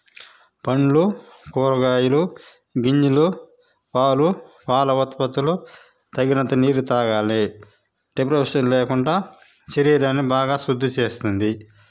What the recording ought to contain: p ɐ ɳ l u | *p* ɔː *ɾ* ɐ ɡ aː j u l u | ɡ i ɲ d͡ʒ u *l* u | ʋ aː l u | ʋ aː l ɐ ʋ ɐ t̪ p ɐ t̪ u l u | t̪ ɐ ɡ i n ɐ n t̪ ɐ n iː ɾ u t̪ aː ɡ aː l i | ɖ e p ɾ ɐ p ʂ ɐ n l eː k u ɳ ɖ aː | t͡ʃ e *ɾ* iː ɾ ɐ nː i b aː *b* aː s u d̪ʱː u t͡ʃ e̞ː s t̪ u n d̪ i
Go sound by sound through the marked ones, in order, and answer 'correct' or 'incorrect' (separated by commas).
incorrect, correct, correct, correct, incorrect